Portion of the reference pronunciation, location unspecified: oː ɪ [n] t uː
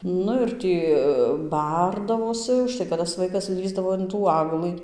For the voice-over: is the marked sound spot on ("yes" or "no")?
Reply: yes